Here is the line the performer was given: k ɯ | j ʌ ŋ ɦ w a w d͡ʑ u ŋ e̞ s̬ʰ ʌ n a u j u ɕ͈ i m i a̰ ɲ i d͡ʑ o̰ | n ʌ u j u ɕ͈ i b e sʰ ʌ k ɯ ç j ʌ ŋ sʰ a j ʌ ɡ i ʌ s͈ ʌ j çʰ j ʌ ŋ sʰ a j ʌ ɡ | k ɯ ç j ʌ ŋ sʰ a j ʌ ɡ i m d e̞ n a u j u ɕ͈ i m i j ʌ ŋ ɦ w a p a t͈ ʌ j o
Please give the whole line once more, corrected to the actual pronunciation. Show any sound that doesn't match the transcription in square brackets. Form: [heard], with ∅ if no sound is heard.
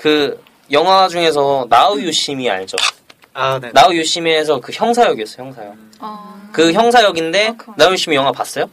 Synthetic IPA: k ɯ | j ʌ ŋ ɦ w a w d͡ʑ u ŋ e̞ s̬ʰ ʌ n a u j u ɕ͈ i m i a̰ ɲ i d͡ʑ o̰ | n [a] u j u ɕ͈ i [m] e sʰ ʌ k ɯ ç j ʌ ŋ sʰ a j ʌ ɡ i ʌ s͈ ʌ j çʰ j ʌ ŋ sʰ a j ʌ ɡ | k ɯ ç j ʌ ŋ sʰ a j ʌ ɡ i [n] d e̞ n a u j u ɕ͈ i m i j ʌ ŋ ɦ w a p a [s͈] ʌ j o